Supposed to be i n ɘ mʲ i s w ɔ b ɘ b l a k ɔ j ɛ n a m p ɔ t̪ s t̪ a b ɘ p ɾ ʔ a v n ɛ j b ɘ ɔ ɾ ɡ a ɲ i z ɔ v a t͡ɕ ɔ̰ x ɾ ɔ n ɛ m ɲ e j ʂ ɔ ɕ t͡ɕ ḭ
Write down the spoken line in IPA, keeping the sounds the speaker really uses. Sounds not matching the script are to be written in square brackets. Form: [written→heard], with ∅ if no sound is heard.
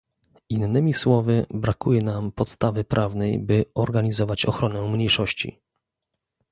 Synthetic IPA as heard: i [n→nː] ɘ mʲ i s w ɔ [b→v] ɘ b [l→ɾ] a k [ɔ→u] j ɛ n a m p ɔ t̪ s t̪ a [b→v] ɘ p ɾ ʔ a v n ɛ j b ɘ ɔ ɾ ɡ a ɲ i z ɔ v a t͡ɕ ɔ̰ x ɾ ɔ n ɛ m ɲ e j ʂ ɔ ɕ t͡ɕ ḭ

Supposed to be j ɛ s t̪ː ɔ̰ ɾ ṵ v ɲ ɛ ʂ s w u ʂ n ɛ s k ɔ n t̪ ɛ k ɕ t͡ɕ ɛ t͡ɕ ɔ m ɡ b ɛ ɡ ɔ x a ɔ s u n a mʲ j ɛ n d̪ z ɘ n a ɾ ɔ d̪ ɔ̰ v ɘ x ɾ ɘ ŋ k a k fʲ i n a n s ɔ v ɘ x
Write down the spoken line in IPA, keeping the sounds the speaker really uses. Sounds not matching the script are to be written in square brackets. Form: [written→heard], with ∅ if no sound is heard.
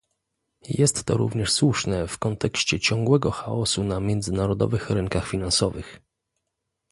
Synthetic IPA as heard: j ɛ s t̪ː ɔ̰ ɾ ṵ v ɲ ɛ ʂ s w u ʂ n ɛ [s→f] k ɔ n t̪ ɛ k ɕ t͡ɕ ɛ t͡ɕ ɔ [m→ŋ] ɡ [b→w] ɛ ɡ ɔ x a ɔ s u n a mʲ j ɛ n d̪ z ɘ n a ɾ ɔ d̪ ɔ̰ v ɘ x ɾ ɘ ŋ k a [k→x] fʲ i n a n s ɔ v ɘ x

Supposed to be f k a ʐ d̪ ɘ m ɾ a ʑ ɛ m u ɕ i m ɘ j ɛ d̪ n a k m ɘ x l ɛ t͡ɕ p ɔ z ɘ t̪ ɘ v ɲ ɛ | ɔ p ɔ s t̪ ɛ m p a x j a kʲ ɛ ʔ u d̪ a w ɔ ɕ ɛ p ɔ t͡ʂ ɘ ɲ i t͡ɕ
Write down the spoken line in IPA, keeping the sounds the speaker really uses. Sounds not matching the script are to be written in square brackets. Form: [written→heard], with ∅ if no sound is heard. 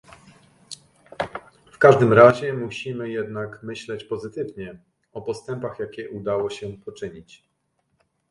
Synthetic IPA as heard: f k a ʐ d̪ ɘ m ɾ a ʑ ɛ m u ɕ i m ɘ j ɛ d̪ n a k m ɘ [x→ɕ] l ɛ t͡ɕ p ɔ z ɘ t̪ ɘ v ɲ ɛ | ɔ p ɔ s t̪ ɛ m p a x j a kʲ ɛ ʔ u d̪ a w ɔ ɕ ɛ p ɔ t͡ʂ ɘ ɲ i t͡ɕ

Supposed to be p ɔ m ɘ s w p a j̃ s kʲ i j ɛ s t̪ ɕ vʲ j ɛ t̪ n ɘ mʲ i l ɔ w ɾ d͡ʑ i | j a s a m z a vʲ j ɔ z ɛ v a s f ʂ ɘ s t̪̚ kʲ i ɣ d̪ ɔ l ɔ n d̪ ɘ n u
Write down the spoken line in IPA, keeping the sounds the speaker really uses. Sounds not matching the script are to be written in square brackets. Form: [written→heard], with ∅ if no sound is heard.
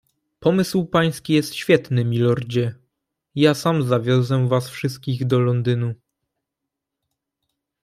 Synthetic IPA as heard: p ɔ m ɘ s w p a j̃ s kʲ i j ɛ s t̪ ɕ [vʲ→fʲ] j ɛ t̪ n ɘ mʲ i l ɔ [w→∅] ɾ d͡ʑ [i→ɛ] | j a s a m z a vʲ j ɔ z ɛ v a s f ʂ ɘ s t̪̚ kʲ i ɣ d̪ ɔ l ɔ n d̪ ɘ n u

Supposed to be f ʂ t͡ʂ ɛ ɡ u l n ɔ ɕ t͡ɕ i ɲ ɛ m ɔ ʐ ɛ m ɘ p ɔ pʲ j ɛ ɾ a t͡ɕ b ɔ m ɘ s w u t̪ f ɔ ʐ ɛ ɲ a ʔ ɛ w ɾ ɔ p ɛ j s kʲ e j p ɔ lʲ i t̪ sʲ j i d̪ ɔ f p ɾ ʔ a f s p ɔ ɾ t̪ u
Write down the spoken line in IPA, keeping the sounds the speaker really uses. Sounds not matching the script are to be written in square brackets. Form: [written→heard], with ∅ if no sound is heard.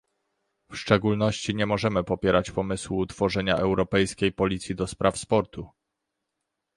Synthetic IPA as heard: f ʂ t͡ʂ ɛ ɡ u l n ɔ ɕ t͡ɕ i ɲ ɛ m ɔ ʐ ɛ m ɘ p ɔ pʲ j ɛ ɾ a t͡ɕ [b→p] ɔ m ɘ s w u t̪ f ɔ ʐ ɛ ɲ a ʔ ɛ w ɾ ɔ p ɛ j s kʲ e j p ɔ lʲ i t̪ sʲ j i d̪ ɔ [f→s] p ɾ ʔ a f s p ɔ ɾ t̪ u

